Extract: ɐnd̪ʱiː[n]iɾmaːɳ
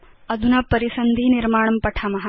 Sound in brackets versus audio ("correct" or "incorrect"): correct